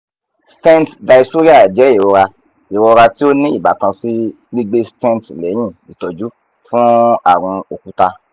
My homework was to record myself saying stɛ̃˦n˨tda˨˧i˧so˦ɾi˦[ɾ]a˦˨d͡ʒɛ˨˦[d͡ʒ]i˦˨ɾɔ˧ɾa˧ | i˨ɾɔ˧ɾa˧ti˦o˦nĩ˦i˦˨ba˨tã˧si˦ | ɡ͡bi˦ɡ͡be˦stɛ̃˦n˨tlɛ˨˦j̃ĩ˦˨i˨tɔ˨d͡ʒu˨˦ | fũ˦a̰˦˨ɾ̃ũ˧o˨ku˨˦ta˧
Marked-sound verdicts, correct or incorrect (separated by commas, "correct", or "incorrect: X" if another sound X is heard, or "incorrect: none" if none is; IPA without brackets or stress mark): incorrect: none, incorrect: none